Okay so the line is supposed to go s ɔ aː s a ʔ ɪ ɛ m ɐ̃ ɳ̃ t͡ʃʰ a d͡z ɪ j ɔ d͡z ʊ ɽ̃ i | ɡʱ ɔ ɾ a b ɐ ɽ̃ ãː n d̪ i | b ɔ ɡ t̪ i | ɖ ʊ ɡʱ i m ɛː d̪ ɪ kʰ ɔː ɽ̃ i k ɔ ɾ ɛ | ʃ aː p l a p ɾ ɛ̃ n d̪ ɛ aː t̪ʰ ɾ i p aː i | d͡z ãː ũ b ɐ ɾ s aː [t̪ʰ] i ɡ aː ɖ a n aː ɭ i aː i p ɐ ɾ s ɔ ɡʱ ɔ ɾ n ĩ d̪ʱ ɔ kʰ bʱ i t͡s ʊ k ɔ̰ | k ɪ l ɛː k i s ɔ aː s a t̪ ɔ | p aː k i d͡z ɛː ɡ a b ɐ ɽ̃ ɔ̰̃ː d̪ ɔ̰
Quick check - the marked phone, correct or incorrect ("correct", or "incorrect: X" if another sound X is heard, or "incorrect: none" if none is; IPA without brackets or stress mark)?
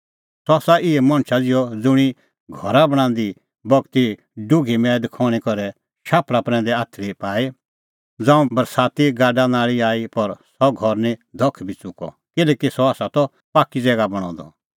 incorrect: t̪